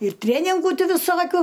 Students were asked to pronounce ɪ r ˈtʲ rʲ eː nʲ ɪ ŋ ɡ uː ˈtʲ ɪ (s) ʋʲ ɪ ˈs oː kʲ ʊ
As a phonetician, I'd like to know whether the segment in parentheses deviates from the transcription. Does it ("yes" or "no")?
yes